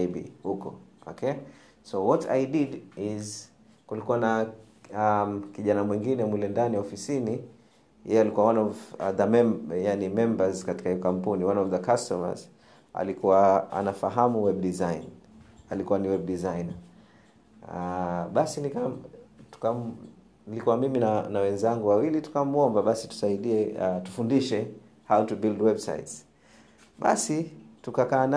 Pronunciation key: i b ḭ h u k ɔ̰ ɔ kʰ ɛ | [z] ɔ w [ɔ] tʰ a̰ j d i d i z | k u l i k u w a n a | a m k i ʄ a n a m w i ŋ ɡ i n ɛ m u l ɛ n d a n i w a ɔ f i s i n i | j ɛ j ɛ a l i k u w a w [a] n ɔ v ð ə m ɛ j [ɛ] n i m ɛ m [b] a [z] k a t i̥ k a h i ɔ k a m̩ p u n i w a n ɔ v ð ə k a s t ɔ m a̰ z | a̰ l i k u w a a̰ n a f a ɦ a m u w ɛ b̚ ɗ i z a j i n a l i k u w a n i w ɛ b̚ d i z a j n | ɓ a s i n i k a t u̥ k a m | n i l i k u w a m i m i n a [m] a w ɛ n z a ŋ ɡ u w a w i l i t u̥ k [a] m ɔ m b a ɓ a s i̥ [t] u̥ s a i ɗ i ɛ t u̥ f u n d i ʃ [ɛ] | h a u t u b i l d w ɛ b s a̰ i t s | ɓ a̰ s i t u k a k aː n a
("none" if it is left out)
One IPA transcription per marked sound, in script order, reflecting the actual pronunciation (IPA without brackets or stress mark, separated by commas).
s, ɔ, a, a, b, z, n, a, t, ɛ